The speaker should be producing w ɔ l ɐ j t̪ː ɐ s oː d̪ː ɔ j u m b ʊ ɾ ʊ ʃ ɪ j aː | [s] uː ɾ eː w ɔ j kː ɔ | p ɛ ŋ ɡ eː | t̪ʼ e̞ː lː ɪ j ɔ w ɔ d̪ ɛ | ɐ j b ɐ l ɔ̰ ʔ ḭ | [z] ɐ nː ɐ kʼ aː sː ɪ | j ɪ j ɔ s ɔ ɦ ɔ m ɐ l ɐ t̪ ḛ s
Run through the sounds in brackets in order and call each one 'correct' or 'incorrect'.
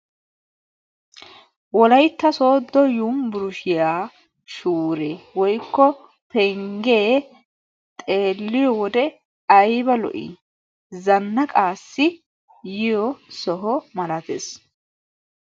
incorrect, correct

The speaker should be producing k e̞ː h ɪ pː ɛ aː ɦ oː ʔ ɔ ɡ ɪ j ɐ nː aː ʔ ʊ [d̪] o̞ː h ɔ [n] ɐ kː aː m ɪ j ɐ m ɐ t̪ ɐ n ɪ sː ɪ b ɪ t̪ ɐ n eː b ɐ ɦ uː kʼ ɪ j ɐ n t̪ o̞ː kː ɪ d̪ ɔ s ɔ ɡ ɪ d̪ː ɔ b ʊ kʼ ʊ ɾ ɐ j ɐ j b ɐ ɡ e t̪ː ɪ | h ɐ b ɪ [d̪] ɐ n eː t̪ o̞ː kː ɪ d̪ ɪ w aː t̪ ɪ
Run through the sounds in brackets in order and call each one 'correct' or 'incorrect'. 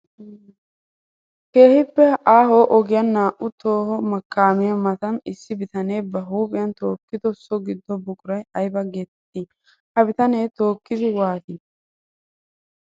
incorrect, incorrect, incorrect

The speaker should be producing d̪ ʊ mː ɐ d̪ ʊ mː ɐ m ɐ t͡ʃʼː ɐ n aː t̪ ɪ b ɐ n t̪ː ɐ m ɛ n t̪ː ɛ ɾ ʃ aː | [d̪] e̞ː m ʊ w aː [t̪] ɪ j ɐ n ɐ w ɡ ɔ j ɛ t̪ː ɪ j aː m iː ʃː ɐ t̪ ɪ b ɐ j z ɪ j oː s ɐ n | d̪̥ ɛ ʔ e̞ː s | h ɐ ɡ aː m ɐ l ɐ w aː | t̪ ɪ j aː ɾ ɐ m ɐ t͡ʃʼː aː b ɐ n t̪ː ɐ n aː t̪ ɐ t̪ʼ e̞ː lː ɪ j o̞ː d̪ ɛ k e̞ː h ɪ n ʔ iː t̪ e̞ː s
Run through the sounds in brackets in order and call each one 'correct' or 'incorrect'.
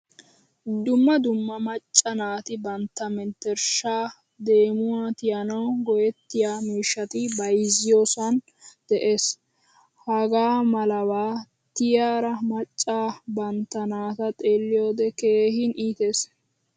correct, correct

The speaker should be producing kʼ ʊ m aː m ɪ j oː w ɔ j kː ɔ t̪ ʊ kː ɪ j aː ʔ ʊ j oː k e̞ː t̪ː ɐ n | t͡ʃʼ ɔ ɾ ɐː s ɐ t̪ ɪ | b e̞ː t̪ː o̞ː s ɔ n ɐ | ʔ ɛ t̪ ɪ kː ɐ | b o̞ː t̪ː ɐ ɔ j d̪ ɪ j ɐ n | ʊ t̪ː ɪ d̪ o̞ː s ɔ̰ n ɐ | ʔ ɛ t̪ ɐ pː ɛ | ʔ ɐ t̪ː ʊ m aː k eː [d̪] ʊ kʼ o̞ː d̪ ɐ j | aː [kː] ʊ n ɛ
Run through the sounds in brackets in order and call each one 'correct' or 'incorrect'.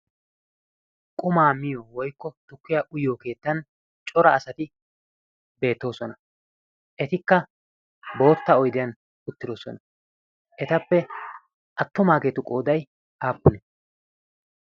incorrect, incorrect

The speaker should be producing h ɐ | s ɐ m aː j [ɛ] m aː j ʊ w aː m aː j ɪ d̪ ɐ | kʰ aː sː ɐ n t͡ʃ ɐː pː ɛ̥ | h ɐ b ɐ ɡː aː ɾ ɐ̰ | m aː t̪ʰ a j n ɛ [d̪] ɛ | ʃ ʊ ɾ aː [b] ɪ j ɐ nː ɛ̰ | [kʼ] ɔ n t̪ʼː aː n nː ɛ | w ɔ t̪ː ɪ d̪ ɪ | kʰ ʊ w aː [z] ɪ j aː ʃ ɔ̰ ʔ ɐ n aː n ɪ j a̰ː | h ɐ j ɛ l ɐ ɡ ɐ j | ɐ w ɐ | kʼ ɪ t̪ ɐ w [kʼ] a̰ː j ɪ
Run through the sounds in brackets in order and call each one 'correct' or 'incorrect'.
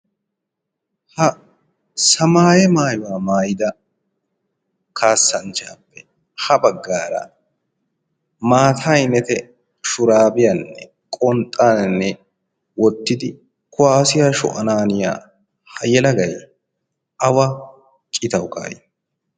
correct, incorrect, correct, correct, incorrect, incorrect

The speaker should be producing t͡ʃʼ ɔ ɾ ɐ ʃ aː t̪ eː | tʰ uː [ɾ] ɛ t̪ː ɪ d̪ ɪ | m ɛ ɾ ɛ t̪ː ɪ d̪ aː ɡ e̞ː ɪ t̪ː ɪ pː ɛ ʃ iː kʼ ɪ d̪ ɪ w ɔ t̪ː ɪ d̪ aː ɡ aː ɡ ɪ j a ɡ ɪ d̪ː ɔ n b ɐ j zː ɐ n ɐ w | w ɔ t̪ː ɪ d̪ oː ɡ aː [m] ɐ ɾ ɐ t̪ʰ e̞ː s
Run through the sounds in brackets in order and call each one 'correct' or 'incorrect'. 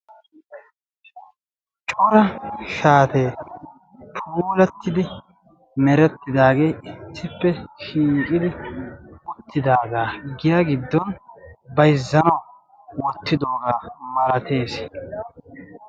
incorrect, correct

